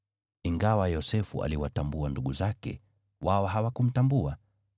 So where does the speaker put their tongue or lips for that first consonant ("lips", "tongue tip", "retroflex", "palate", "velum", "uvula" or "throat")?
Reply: velum